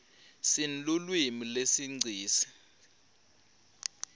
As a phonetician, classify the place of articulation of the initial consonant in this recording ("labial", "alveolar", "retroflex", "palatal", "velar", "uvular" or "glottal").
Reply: alveolar